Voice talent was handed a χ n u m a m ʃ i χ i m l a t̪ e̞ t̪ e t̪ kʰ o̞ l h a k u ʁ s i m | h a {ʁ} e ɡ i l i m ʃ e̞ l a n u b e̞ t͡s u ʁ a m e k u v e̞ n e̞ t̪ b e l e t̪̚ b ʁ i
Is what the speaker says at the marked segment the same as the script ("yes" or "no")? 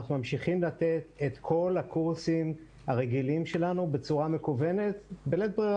yes